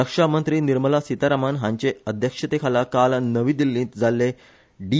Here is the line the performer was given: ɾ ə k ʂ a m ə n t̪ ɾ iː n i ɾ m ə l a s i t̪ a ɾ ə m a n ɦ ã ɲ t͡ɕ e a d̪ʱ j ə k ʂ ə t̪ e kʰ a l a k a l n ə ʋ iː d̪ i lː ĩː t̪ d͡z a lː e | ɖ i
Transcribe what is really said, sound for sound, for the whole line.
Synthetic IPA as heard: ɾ ə k ʂ a m ə n t̪ ɾ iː n i ɾ m ə l a s i t̪ a ɾ a m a n ɦ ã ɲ t͡ɕ e ə d̪ʱ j ə k ʂ ə t̪ e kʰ a l a k a l n ə ʋ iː d̪ i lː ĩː t̪ d͡z a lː e | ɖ i